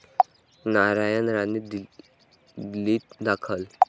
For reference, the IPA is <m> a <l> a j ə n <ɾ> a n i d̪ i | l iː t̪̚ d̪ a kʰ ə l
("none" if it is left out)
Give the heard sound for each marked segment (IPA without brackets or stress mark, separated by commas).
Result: n, ɾ, ɾ